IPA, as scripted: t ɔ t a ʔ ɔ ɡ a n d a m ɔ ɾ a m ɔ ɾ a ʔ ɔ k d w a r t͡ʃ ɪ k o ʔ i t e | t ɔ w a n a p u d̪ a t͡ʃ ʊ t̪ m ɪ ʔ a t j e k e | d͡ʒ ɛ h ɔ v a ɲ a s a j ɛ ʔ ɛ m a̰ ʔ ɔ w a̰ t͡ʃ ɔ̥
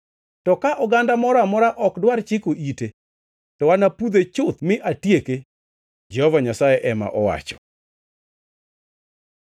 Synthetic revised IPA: t ɔ k a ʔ ɔ ɡ a n d a m ɔ ɾ a m ɔ ɾ a ʔ ɔ k d w a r t͡ʃ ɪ k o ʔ i t e | t ɔ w a n a p u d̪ e t͡ʃ ʊ t̪ m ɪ ʔ a t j e k e | d͡ʒ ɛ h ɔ v a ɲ a s a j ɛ ʔ ɛ m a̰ ʔ ɔ w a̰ t͡ʃ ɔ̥